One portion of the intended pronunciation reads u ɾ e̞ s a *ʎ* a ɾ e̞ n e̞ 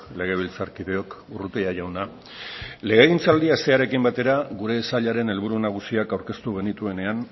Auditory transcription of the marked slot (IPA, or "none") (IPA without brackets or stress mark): ʎ